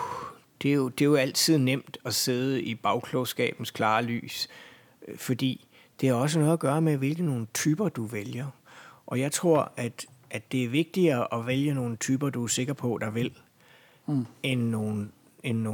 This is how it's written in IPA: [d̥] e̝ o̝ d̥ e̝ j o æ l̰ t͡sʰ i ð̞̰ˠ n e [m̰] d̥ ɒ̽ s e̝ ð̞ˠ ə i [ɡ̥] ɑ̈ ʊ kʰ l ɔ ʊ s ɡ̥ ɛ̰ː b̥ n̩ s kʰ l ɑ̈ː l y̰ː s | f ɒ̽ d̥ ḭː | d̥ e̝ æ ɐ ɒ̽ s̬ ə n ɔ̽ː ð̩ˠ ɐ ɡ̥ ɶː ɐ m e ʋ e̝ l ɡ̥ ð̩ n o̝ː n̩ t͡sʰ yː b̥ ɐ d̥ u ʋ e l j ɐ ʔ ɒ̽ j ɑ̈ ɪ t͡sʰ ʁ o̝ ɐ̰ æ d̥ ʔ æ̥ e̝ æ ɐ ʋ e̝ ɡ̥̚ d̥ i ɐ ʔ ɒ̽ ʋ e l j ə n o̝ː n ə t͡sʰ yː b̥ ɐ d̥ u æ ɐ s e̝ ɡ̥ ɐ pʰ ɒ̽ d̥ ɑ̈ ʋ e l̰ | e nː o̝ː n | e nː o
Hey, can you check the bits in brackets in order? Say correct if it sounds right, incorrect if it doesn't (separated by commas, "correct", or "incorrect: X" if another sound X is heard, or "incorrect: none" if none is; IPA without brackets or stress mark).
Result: correct, correct, incorrect: b̥